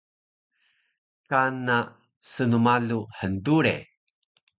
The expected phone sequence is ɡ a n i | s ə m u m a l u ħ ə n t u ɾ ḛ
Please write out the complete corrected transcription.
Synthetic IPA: k a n a | s ə n u m a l u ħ ə n d u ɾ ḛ